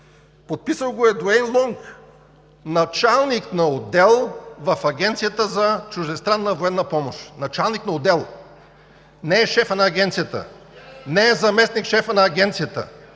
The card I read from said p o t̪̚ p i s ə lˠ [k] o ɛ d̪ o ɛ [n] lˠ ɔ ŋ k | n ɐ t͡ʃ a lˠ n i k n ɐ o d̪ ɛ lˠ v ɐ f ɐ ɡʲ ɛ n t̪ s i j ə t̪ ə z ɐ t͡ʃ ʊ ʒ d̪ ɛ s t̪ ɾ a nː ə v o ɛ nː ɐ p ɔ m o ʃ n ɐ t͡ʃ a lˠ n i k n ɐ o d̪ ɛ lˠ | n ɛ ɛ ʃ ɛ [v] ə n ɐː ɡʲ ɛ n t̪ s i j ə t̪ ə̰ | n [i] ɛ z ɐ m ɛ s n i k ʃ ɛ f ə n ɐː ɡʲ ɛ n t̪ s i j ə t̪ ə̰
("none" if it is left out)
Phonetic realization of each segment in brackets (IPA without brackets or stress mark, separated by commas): ɡ, n, f, ɛ